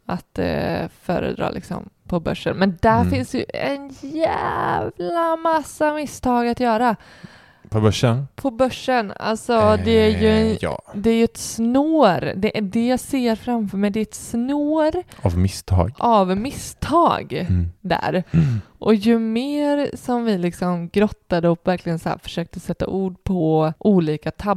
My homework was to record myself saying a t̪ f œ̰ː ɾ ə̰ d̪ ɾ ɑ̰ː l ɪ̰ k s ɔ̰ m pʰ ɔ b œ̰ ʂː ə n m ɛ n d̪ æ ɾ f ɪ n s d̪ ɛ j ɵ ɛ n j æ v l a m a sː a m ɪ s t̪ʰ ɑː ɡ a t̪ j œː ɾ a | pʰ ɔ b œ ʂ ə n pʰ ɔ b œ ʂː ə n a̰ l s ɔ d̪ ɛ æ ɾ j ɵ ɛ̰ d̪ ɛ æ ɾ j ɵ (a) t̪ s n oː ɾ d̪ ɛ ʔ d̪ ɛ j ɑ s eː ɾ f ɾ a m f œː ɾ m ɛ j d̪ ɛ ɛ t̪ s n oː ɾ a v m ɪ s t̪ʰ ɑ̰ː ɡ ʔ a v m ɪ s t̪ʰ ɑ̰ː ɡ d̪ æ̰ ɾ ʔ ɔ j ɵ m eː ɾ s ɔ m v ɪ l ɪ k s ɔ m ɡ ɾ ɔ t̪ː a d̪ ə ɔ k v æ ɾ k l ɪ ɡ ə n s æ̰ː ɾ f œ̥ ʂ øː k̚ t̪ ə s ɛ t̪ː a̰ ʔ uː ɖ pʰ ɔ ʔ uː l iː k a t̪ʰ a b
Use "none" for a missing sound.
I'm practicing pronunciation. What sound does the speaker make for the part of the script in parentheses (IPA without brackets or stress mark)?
ɛ